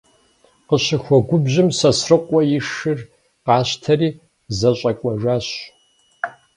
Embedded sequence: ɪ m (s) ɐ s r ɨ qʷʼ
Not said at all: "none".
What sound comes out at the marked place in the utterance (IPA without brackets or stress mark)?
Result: s